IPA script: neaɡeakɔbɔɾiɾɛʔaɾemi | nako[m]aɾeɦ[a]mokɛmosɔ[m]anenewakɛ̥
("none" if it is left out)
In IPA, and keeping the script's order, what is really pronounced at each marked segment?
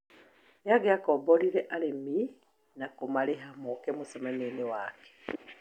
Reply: m, a, m

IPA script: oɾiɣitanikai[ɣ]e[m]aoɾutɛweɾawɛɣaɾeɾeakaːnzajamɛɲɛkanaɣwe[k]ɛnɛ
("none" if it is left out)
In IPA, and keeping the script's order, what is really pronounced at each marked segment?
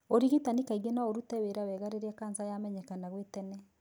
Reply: ɣ, n, t

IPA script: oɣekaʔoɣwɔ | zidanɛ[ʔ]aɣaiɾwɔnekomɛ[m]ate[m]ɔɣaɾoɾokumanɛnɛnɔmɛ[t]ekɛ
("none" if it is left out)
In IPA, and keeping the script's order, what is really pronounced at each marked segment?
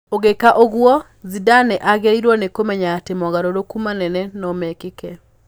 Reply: ʔ, ɲ, m, k

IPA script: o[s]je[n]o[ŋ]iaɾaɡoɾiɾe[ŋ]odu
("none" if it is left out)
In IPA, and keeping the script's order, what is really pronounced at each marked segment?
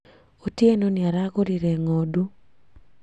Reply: t, n, n, ŋ

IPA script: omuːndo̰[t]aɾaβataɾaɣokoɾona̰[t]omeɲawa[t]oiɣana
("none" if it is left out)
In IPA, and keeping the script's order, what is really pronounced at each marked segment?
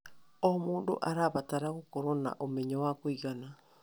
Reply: ʔ, ʔ, k

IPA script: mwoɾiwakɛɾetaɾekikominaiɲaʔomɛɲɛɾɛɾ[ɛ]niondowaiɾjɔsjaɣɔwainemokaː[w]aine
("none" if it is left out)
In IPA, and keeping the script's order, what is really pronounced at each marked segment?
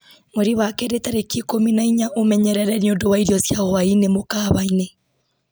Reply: ɛ, β

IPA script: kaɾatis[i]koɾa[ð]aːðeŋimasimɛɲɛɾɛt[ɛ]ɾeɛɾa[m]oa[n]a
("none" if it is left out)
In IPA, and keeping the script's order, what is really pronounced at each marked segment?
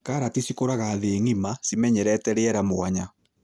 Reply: i, ɣ, ɛ, m, ɲ

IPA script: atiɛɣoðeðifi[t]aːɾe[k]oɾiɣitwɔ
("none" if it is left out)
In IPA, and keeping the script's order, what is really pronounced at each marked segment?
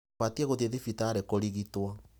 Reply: t, k

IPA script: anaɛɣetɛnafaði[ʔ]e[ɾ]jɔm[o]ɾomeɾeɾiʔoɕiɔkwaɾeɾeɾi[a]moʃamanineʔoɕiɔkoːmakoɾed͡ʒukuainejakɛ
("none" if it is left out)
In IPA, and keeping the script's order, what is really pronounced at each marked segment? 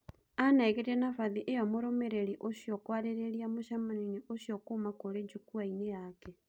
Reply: ʔ, none, o, a

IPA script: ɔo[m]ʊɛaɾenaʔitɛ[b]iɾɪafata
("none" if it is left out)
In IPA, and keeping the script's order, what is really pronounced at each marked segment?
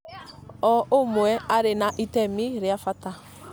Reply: m, m

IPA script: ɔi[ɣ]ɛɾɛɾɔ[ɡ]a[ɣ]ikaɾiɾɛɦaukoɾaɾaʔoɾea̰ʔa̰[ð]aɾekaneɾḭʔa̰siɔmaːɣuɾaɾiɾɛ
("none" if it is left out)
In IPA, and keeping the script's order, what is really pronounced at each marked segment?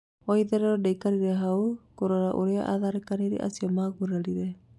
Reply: ð, d, none, ð

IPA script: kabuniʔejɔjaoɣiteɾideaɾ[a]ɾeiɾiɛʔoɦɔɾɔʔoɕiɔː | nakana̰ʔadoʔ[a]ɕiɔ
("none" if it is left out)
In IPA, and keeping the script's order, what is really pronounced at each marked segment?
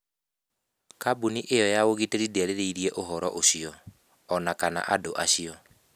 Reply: e, a

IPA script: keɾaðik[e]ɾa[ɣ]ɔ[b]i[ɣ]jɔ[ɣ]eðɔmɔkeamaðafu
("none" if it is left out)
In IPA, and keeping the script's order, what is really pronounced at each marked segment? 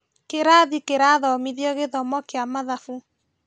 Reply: e, ð, m, ð, ɣ

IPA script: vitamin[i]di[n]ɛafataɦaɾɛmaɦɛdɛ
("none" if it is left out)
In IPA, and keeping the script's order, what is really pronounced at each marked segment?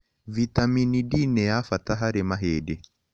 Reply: i, n

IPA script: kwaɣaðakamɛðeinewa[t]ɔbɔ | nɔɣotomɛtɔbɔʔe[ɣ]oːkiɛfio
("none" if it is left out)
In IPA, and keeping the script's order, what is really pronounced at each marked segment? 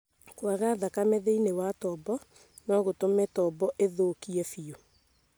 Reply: t, ð

